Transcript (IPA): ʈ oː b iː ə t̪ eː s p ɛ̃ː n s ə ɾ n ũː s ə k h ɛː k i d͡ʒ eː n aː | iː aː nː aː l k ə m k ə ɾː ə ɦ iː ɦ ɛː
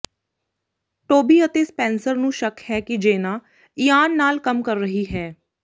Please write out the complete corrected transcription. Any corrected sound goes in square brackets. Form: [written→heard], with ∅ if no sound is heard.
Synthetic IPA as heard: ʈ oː b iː ə t̪ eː s p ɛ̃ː n s ə ɾ n ũː [s→ʃ] ə k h ɛː k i d͡ʒ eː n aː | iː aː nː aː l k ə m k ə ɾː ə ɦ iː ɦ ɛː